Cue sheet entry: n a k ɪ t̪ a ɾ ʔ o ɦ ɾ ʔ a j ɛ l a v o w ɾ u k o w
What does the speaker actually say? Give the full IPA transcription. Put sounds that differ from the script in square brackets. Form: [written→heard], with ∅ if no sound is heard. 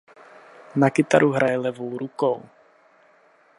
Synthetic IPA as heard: n a k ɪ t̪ a ɾ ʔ [o→u] ɦ ɾ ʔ a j ɛ l [a→ɛ] v o w ɾ u k o w